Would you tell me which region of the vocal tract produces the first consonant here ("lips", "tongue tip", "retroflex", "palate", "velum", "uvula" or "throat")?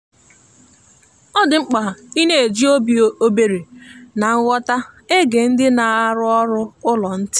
tongue tip